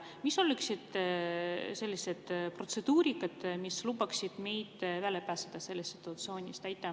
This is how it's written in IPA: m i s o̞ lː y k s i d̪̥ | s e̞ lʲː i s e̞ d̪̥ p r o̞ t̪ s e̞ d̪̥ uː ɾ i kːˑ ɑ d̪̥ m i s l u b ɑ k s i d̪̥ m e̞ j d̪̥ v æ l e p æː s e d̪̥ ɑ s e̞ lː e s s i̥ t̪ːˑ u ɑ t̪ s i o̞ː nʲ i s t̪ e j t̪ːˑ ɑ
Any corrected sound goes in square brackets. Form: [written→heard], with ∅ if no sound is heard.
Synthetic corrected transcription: m i s o̞ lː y k s i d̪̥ | s e̞ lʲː i s e̞ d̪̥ p r o̞ t̪ s e̞ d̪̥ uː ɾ i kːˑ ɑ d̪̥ m i s l u b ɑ k s i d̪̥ m e̞ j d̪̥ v æ l e p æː s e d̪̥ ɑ s e̞ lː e s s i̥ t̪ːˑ u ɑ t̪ s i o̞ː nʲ i s t̪ [e→æ] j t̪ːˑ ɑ